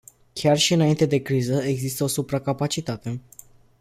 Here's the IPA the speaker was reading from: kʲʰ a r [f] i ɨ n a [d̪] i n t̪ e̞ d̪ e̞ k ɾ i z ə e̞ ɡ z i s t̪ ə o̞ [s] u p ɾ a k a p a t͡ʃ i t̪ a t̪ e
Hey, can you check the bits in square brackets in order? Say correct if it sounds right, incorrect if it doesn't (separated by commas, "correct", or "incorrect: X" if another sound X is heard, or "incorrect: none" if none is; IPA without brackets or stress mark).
incorrect: ʃ, incorrect: none, correct